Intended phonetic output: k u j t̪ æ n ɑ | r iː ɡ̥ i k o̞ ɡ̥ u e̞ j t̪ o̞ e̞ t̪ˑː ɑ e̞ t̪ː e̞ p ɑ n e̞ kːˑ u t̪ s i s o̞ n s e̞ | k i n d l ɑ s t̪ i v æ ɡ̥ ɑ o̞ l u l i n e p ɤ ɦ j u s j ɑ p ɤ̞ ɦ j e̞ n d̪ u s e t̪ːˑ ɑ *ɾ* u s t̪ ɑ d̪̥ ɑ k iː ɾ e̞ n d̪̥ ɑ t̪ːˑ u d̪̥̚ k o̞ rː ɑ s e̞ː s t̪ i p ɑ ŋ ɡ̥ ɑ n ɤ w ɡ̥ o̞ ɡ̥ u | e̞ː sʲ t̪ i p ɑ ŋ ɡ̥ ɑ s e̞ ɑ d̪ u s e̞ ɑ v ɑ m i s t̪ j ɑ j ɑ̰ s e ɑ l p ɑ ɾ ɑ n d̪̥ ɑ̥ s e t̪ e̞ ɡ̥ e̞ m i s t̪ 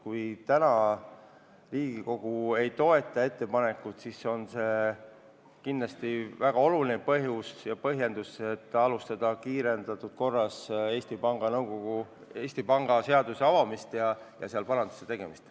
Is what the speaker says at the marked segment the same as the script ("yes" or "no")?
no